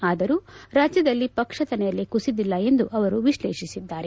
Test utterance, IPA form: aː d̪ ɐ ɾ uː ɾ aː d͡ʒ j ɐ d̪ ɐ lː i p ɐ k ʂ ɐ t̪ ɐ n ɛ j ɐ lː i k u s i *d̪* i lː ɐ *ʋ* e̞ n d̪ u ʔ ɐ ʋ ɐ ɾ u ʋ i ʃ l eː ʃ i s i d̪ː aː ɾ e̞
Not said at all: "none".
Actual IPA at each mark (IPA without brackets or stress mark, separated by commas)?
d̪, none